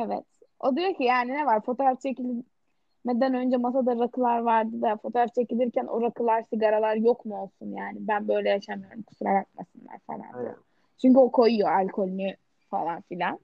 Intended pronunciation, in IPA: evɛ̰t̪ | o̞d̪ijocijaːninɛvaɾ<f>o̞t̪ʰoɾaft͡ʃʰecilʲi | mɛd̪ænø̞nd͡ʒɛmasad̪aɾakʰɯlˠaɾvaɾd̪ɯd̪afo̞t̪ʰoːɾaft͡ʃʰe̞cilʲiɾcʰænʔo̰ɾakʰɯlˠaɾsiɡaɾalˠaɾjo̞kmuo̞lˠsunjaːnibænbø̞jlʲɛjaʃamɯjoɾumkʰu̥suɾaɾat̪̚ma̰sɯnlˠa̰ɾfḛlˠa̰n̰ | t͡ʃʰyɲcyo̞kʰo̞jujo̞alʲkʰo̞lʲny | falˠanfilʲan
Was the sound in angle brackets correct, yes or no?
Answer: yes